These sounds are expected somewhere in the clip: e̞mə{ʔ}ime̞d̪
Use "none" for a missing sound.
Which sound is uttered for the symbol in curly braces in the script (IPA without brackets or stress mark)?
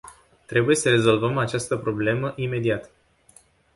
ʔ